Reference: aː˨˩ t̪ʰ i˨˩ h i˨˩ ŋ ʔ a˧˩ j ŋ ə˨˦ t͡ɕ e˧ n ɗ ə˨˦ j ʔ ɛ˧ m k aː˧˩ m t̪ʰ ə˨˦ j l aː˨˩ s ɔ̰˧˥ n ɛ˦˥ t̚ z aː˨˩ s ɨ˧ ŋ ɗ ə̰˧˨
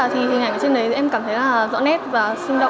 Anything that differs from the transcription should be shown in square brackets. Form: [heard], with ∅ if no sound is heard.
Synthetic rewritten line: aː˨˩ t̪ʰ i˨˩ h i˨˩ ŋ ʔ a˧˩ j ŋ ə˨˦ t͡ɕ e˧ n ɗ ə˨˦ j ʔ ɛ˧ m k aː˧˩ m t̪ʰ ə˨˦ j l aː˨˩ [z] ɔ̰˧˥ n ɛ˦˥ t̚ [v] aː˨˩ s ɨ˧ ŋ ɗ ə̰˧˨